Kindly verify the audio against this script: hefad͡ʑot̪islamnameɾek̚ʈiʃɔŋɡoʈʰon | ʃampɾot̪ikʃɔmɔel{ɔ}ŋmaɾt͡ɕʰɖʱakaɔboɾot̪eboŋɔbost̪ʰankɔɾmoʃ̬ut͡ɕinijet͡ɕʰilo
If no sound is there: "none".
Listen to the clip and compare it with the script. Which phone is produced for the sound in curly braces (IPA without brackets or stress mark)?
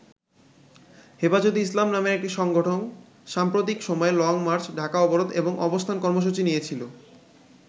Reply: ɔ